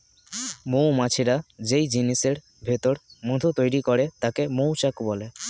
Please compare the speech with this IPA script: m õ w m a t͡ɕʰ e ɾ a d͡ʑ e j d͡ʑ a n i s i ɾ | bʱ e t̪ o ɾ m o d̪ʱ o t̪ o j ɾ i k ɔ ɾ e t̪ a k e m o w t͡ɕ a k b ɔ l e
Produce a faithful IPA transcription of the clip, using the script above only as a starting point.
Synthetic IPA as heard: m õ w m a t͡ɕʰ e ɾ a d͡ʑ e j d͡ʑ i n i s e ɾ | bʱ e t̪ o ɾ m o d̪ʱ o t̪ o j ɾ i k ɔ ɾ e t̪ a k e m o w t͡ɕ a k b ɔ l e